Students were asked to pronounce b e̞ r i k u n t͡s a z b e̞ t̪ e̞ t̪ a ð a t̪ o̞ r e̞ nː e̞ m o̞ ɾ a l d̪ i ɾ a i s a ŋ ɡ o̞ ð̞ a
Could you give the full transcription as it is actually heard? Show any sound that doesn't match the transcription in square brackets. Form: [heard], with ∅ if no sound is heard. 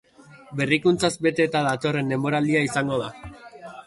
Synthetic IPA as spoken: b e̞ r i k u n t͡s a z b e̞ t̪ e̞ t̪ a ð a t̪ o̞ r e̞ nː e̞ m o̞ ɾ a l d̪ i [∅] a i s a ŋ ɡ o̞ ð̞ a